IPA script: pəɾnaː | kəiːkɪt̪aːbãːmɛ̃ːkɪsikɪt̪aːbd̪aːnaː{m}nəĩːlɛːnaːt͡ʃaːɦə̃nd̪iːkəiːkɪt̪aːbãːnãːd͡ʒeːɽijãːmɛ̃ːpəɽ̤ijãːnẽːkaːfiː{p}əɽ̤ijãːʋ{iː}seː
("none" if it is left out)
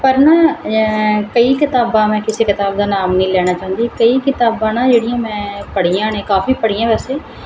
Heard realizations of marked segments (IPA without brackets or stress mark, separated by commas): m, p, ɛː